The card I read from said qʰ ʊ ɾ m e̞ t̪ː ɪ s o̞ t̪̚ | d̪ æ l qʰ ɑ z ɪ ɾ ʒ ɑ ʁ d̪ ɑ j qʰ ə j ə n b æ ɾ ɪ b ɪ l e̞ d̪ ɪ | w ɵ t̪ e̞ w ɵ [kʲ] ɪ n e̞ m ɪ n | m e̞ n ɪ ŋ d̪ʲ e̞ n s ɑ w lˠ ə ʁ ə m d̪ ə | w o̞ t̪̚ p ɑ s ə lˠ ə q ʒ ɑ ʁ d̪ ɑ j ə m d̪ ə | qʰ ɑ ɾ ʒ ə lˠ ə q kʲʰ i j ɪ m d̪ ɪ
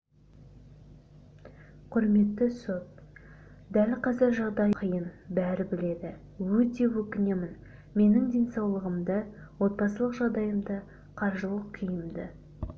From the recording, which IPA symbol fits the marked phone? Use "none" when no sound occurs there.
kʲ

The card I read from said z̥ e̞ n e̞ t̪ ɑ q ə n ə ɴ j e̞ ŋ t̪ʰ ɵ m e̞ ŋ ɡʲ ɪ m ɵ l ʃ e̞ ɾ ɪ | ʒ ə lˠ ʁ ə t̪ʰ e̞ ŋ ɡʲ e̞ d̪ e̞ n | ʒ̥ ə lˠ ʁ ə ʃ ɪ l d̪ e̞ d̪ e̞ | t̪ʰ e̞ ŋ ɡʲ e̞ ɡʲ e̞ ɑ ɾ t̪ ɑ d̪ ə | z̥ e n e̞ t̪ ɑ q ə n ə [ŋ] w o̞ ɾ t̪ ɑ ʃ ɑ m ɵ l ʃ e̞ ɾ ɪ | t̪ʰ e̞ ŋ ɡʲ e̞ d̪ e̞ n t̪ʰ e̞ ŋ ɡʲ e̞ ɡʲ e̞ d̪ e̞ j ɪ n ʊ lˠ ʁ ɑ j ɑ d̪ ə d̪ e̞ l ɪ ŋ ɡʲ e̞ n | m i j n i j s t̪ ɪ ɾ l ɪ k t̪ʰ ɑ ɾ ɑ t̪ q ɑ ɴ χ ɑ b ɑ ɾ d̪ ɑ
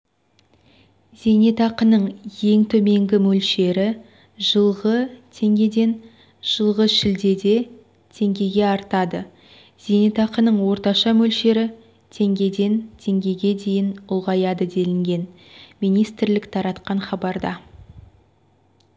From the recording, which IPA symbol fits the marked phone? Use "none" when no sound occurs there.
ɴ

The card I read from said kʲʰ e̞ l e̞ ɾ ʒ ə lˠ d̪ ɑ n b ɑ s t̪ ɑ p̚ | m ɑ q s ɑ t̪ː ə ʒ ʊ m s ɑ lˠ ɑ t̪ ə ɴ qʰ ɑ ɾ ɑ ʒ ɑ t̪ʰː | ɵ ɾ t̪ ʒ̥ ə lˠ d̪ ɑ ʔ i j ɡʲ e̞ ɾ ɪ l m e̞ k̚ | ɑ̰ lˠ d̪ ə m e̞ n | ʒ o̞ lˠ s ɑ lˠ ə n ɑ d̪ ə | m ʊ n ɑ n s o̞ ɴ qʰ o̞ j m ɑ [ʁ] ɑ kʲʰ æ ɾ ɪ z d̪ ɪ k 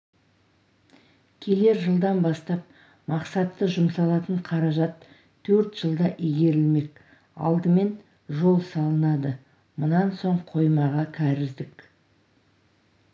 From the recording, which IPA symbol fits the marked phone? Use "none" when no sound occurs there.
ʁ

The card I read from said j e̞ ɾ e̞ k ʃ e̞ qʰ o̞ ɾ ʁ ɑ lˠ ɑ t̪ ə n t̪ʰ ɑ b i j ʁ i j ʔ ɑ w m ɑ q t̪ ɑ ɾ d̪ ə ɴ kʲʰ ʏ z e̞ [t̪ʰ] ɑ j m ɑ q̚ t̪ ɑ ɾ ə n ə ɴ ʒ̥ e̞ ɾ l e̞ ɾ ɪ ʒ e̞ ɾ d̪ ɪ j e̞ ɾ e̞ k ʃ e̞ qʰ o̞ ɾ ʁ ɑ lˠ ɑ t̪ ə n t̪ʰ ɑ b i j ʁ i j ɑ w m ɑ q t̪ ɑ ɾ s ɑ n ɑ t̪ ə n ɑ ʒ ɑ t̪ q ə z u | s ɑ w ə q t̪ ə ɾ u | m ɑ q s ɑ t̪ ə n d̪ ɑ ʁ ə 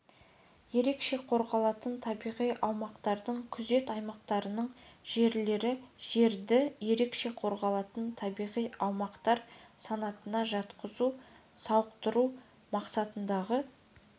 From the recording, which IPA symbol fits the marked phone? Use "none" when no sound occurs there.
t̪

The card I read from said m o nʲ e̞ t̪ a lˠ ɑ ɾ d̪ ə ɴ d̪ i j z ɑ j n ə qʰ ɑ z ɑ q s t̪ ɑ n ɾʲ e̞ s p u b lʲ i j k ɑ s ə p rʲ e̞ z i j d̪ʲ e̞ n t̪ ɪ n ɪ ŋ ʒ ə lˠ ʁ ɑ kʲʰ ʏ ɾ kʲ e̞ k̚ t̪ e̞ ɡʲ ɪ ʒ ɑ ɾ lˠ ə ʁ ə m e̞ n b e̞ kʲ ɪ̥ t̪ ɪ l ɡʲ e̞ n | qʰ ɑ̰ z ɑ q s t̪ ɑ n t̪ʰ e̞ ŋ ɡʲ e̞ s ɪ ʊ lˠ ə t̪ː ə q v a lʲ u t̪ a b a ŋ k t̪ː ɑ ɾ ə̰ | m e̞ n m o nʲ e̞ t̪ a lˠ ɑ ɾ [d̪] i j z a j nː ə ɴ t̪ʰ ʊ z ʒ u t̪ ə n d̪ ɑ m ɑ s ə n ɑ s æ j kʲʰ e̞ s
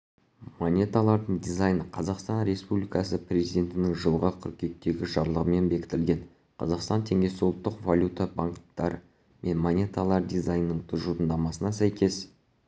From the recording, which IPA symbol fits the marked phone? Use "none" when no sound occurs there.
d̪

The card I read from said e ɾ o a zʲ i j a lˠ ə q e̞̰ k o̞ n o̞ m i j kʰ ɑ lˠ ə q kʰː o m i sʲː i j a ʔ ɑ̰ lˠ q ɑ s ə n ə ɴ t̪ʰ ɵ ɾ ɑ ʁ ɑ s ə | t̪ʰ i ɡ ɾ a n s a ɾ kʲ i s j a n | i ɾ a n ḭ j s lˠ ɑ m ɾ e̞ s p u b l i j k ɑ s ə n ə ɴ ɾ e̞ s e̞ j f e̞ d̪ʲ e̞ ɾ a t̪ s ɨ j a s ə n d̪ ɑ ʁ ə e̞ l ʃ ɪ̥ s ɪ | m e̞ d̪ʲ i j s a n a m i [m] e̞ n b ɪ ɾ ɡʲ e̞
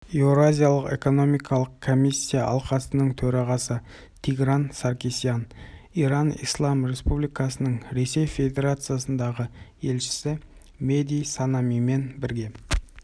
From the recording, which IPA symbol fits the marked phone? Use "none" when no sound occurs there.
m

